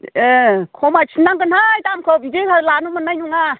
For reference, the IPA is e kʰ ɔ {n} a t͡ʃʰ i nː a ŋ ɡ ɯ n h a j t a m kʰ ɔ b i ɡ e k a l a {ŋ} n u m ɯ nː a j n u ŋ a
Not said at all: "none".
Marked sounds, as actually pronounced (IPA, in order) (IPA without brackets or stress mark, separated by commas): m, none